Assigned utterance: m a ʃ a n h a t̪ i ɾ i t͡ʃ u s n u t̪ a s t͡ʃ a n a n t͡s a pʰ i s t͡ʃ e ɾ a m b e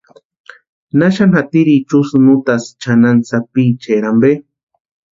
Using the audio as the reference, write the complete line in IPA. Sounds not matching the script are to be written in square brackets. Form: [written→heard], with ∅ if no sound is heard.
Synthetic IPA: [m→n] a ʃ a n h a t̪ i ɾ i t͡ʃ u s n u t̪ a s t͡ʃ a n a n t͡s a [pʰ→p] i [s→∅] t͡ʃ e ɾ a m b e

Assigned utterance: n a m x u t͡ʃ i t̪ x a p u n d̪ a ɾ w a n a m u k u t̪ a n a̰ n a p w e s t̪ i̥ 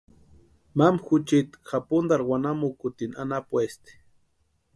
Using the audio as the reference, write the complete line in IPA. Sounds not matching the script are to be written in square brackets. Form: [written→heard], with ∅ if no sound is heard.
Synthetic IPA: [n→m] a m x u t͡ʃ i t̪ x a p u n d̪ a ɾ w a n a m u k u t̪ [a→i] n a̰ n a p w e s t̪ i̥

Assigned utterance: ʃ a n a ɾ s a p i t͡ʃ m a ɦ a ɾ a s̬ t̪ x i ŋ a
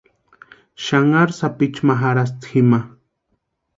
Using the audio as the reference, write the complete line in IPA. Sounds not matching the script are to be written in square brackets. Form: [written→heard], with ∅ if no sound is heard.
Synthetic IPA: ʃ a [n→ŋ] a ɾ s a p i t͡ʃ m a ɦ a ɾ a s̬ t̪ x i [ŋ→m] a

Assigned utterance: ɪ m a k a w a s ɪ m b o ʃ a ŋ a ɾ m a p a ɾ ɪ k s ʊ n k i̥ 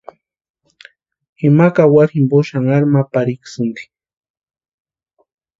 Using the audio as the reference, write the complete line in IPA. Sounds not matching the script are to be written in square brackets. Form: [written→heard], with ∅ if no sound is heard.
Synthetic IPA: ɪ m a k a w a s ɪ m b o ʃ a ŋ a ɾ m a p a ɾ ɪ k s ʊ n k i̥

